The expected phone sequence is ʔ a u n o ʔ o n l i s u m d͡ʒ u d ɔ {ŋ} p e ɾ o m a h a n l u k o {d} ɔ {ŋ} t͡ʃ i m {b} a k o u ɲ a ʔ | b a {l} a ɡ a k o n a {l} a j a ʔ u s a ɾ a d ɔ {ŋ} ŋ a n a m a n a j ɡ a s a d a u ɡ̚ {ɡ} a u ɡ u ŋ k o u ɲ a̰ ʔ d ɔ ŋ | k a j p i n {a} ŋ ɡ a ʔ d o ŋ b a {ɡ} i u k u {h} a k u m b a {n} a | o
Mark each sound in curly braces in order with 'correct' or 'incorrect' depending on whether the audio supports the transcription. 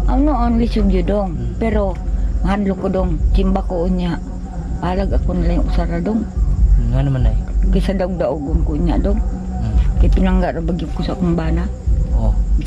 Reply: correct, correct, correct, correct, correct, correct, correct, incorrect: d, correct, correct, incorrect: s, correct

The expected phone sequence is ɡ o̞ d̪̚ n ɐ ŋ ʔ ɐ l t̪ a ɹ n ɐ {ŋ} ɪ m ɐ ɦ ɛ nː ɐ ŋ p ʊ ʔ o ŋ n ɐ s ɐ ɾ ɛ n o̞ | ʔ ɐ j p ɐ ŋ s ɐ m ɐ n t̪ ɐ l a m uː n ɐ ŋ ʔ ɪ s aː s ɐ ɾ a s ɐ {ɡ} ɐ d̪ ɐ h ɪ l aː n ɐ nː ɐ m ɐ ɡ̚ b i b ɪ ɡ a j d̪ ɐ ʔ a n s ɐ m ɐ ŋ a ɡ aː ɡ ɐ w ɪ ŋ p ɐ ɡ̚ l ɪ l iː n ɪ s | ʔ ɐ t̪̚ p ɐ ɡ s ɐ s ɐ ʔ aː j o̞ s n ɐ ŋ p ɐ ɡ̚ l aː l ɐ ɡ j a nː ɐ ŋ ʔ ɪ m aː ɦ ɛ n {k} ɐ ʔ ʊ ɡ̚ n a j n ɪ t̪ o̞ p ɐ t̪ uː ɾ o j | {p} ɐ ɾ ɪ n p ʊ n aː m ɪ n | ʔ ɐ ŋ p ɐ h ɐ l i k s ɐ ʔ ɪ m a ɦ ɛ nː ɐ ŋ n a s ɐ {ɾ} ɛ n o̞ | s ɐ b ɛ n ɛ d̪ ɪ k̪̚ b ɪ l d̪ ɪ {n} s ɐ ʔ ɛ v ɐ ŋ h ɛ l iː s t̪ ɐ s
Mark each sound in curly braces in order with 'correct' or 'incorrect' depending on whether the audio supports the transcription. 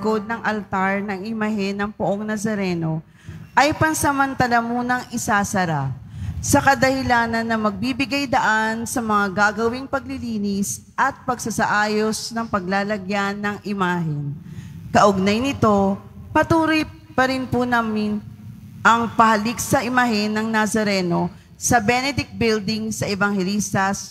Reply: correct, incorrect: k, correct, correct, correct, incorrect: ŋ

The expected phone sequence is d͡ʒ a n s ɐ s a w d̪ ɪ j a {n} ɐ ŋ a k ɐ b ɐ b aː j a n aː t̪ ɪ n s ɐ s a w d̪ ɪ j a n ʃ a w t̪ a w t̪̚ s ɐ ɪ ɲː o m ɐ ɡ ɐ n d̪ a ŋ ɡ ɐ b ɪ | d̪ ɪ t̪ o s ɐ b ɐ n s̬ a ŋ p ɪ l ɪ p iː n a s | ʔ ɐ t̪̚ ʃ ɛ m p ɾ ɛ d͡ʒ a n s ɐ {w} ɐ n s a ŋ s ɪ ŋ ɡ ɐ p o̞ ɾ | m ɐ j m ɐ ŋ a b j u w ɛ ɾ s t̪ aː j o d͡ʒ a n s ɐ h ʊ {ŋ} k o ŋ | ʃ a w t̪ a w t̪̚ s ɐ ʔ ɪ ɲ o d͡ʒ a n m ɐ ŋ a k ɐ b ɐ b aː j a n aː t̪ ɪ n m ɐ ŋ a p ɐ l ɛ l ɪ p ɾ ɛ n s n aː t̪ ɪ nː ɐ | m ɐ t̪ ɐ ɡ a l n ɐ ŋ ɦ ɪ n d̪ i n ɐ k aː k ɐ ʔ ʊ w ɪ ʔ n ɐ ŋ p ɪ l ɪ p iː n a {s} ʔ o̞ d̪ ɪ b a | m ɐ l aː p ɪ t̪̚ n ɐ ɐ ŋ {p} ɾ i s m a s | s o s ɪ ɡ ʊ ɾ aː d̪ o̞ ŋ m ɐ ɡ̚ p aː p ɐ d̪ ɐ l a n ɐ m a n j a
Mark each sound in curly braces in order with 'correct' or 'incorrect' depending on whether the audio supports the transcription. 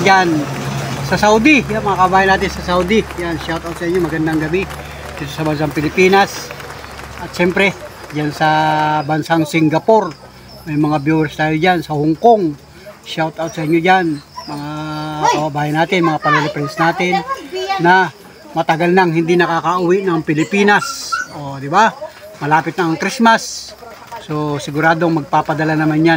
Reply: incorrect: m, incorrect: b, correct, correct, incorrect: k

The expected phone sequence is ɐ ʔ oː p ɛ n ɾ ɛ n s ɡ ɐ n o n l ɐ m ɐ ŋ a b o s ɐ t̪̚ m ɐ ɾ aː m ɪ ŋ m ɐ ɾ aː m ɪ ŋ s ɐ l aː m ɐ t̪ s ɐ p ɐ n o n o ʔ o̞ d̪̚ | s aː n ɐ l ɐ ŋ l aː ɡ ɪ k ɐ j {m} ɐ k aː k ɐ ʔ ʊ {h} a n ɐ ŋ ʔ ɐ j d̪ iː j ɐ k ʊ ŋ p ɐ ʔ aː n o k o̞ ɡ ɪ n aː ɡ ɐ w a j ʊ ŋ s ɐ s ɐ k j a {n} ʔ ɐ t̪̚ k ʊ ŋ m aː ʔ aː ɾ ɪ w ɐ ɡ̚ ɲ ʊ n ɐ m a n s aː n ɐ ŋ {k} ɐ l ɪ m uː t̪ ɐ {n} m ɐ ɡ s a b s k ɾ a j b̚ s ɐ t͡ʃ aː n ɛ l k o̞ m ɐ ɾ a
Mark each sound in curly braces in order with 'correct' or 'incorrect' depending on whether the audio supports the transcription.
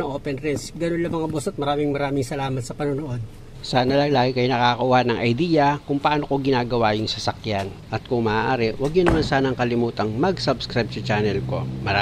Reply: incorrect: n, correct, correct, correct, incorrect: ŋ

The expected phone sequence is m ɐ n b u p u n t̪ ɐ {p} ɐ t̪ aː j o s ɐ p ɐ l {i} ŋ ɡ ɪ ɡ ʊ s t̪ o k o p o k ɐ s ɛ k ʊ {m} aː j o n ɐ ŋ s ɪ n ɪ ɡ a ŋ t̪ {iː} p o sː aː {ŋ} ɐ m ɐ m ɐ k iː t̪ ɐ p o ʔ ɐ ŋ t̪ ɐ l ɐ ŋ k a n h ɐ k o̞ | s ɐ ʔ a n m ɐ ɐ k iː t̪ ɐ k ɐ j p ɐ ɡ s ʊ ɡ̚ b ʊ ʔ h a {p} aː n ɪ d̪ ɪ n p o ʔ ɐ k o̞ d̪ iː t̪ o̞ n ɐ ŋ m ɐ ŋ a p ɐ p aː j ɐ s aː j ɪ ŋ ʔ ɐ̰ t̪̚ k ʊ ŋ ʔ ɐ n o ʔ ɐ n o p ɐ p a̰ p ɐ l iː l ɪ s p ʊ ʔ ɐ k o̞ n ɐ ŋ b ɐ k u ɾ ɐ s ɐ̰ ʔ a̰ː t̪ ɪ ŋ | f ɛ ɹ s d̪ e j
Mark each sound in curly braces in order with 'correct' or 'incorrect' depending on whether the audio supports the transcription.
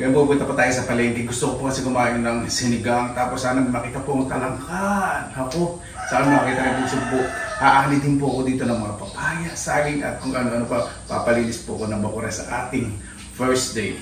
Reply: correct, incorrect: ɛ, correct, incorrect: aː, incorrect: n, incorrect: ʔ

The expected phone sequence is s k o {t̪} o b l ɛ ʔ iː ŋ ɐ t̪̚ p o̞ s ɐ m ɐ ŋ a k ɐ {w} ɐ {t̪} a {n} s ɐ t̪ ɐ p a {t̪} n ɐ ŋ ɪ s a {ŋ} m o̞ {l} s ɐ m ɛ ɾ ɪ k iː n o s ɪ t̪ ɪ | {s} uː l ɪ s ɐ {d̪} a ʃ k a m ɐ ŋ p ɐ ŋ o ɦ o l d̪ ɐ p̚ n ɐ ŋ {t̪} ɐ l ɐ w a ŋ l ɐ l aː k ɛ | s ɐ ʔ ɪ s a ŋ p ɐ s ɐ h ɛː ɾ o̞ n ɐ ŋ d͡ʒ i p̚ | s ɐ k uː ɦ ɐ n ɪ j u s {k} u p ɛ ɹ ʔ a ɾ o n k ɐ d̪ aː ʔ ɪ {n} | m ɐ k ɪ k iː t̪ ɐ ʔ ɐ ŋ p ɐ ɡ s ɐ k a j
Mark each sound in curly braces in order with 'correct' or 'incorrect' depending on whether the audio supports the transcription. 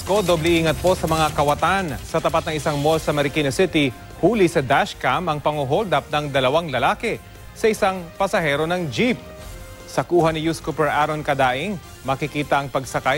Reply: incorrect: d̪, correct, correct, correct, correct, correct, correct, incorrect: h, correct, incorrect: d̪, correct, incorrect: ŋ

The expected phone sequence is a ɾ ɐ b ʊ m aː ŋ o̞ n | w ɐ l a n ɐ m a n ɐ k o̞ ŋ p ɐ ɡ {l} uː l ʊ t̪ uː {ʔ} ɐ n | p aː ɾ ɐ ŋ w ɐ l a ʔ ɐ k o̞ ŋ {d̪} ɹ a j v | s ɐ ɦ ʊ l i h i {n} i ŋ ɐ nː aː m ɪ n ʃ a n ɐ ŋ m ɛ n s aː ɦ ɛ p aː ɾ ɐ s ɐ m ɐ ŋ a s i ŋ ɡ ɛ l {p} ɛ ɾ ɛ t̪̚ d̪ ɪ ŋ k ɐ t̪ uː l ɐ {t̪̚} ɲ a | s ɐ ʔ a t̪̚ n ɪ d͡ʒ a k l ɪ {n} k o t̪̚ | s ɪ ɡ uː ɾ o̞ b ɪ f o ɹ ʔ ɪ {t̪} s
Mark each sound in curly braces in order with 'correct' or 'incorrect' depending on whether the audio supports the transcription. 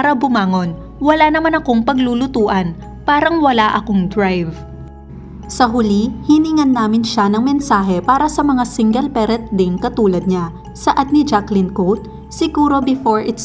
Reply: correct, correct, correct, correct, correct, incorrect: d̪̚, correct, correct

